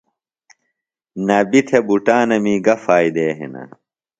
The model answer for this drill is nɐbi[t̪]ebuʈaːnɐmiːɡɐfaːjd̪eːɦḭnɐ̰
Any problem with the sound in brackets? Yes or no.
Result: yes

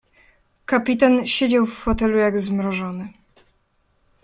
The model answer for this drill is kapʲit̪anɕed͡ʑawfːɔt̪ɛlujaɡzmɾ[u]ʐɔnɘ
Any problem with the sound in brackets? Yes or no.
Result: yes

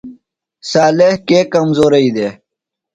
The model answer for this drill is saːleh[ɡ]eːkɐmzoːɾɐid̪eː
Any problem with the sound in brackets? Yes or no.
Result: yes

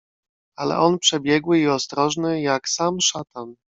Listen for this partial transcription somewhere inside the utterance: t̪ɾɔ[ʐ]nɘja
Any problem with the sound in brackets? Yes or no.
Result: no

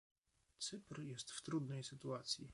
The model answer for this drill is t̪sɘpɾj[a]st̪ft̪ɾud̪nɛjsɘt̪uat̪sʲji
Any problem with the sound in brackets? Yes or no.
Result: yes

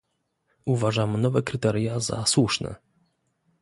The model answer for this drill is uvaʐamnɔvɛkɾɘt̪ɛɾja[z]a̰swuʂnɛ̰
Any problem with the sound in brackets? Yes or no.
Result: no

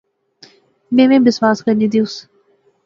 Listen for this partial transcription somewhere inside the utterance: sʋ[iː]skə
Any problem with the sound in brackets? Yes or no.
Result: yes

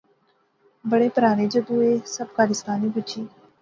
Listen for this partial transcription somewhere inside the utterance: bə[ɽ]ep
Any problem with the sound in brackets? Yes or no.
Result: no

